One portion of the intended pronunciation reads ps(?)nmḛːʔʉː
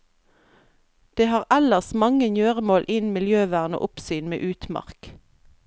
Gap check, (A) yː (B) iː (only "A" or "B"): A